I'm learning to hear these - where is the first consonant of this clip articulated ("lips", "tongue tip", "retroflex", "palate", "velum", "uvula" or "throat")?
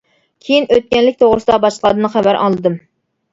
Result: velum